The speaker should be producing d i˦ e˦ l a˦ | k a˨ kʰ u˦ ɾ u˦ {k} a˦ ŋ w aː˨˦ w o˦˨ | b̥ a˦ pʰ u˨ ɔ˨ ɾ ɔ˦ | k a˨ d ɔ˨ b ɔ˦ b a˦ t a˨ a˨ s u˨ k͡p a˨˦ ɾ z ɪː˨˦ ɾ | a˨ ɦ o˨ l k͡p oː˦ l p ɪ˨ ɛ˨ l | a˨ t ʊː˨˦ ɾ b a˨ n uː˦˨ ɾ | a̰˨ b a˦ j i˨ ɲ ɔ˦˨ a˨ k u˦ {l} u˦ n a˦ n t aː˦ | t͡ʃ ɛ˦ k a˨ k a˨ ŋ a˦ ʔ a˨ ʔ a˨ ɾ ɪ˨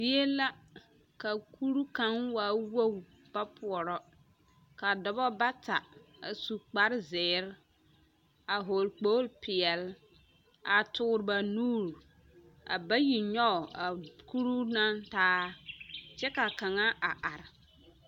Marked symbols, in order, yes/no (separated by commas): yes, no